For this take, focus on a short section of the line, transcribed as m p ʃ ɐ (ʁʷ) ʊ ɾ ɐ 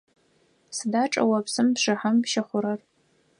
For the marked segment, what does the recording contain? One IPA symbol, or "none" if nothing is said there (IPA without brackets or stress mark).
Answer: χʷ